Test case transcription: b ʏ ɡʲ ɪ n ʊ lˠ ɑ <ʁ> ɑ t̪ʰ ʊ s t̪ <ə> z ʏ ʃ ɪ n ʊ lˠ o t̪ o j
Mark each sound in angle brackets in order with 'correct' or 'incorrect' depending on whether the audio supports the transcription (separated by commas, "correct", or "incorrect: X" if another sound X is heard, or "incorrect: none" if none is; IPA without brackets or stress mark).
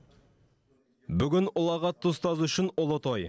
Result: correct, incorrect: ɑ